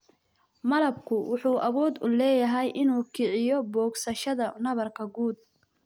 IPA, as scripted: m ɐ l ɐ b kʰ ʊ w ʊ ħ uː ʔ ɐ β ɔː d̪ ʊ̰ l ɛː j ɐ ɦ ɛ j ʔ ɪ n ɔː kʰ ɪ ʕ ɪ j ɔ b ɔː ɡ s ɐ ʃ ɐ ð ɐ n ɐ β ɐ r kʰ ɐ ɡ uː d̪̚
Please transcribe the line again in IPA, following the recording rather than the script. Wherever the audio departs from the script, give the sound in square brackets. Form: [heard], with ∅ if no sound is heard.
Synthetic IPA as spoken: m ɐ l ɐ b kʰ ʊ w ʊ ħ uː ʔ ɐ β ɔː d̪ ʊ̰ l ɛː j ɐ ɦ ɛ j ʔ ɪ n [uː] kʰ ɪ ʕ ɪ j ɔ b ɔː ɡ s ɐ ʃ ɐ ð ɐ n ɐ β ɐ r kʰ ɐ ɡ uː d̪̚